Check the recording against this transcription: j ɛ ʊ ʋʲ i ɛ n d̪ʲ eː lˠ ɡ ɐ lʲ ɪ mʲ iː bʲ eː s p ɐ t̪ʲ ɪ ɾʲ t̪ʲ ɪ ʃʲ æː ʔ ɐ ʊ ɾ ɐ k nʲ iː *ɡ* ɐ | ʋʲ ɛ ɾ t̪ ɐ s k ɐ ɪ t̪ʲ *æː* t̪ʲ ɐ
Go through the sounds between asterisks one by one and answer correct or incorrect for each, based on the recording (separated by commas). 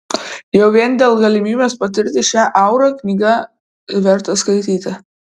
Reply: correct, incorrect